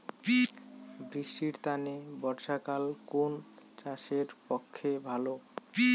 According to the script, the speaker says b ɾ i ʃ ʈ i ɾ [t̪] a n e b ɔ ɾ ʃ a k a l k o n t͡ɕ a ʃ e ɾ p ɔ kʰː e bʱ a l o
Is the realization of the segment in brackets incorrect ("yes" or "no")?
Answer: no